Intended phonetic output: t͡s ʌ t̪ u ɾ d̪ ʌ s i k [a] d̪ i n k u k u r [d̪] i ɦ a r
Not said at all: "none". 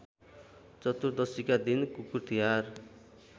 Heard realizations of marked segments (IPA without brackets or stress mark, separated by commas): a, t̪